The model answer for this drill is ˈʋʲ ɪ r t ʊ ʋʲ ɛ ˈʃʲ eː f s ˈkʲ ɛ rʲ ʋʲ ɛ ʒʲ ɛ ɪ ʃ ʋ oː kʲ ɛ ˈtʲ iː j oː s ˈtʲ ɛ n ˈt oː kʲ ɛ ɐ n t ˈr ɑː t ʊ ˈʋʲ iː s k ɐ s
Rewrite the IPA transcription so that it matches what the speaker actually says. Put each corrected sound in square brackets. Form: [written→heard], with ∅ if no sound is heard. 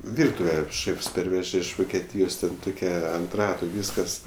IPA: ˈʋʲ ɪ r t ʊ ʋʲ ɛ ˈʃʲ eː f s [ˈkʲ→ˈpʲ] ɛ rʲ ʋʲ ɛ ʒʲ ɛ ɪ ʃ ʋ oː kʲ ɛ ˈtʲ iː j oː s ˈtʲ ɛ n ˈt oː kʲ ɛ ɐ n t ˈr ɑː t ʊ ˈʋʲ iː s k ɐ s